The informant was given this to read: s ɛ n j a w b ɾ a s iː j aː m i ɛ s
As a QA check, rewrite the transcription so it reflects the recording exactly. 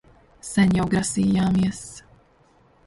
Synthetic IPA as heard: s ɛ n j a w ɡ ɾ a s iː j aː m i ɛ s